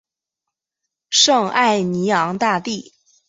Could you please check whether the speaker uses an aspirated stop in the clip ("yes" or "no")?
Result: no